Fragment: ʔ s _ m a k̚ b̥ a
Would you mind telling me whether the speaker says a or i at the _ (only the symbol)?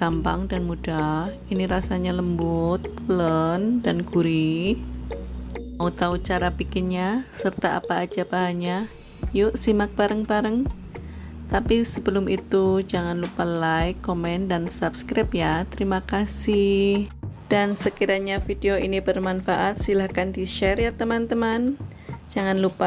i